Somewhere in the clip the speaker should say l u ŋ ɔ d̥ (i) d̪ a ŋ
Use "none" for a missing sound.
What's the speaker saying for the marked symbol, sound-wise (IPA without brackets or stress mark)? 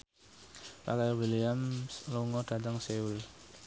a